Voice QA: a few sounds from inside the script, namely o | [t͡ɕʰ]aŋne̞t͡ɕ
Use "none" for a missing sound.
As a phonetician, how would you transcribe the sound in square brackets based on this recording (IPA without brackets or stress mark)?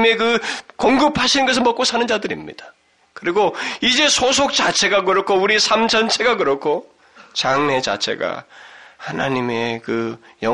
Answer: t͡ɕ